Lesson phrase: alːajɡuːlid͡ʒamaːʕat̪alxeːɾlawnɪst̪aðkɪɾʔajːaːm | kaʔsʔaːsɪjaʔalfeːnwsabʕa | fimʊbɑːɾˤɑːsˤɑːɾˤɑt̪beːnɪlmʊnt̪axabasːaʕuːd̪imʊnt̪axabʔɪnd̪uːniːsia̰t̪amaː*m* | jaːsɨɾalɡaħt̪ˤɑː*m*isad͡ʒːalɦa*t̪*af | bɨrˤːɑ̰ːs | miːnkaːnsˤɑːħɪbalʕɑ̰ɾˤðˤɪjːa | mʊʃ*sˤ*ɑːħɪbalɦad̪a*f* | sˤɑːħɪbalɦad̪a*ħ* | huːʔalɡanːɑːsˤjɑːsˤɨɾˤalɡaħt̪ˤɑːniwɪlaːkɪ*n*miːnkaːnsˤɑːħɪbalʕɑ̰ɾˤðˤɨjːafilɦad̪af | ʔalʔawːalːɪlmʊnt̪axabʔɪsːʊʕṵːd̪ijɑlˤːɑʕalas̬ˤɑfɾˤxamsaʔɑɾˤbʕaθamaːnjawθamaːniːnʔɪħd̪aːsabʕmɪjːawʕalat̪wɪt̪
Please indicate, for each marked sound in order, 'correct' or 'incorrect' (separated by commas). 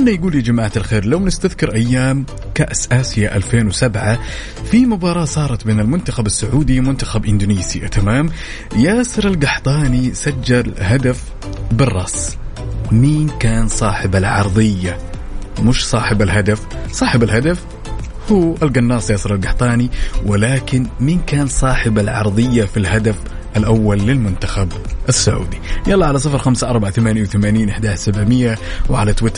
correct, incorrect, incorrect, correct, correct, incorrect, correct